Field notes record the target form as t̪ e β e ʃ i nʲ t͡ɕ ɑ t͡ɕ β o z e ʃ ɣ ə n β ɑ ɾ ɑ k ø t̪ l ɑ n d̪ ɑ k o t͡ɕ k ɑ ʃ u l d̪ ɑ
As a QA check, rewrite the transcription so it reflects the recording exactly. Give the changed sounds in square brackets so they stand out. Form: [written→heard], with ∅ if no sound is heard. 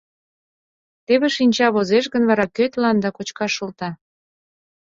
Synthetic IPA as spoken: t̪ e β e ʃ i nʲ t͡ɕ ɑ [t͡ɕ→∅] β o z e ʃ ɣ ə n β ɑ ɾ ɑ k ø t̪ l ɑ n d̪ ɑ k o t͡ɕ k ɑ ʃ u l [d̪→t̪] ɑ